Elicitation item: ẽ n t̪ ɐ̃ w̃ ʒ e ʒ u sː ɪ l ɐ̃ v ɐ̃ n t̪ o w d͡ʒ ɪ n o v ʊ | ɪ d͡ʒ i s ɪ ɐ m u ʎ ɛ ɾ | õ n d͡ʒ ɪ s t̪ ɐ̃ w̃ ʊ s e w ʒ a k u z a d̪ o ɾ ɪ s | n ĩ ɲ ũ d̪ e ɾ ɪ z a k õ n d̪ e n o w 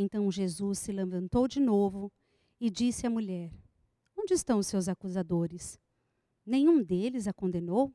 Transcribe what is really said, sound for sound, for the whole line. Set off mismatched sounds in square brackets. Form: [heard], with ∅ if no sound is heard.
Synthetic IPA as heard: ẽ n t̪ ɐ̃ w̃ ʒ e [z] u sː ɪ l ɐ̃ v ɐ̃ n t̪ o w d͡ʒ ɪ n o v ʊ | ɪ d͡ʒ i s ɪ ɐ m u ʎ ɛ ɾ | õ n d͡ʒ ɪ s t̪ ɐ̃ w̃ ʊ s e w [z] a k u z a d̪ o ɾ ɪ s | n [ẽ] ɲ ũ d̪ e [l] ɪ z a k õ n d̪ e n o w